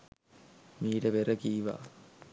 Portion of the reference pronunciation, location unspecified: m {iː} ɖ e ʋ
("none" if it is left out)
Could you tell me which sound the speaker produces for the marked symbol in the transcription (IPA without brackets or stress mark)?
iː